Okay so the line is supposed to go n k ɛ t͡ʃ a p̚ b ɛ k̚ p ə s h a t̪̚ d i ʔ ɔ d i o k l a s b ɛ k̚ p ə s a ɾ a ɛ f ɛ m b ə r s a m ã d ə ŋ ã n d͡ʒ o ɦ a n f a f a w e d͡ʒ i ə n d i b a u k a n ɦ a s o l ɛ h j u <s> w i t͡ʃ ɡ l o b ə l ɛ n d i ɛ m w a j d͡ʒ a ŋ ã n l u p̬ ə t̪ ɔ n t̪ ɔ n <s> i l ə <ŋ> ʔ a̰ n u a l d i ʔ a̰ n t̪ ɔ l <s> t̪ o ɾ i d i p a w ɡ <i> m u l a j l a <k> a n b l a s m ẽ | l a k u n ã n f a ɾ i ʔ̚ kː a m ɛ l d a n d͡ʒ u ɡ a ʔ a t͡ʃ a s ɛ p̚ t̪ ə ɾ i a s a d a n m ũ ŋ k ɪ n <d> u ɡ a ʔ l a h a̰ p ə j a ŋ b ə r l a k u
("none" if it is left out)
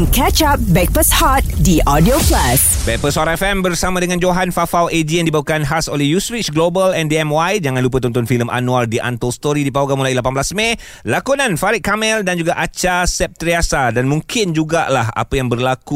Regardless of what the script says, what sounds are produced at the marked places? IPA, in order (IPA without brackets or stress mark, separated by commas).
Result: s, f, m, s, a, p, d͡ʒ